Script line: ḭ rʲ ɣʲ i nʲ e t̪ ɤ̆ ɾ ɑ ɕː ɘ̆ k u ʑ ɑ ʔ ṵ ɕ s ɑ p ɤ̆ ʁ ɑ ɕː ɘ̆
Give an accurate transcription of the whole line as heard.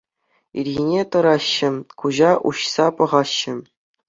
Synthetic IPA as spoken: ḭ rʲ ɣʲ i nʲ e t̪ ɤ̆ ɾ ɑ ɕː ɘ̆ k u ʑ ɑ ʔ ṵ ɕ s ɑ p ɤ̆ ʁ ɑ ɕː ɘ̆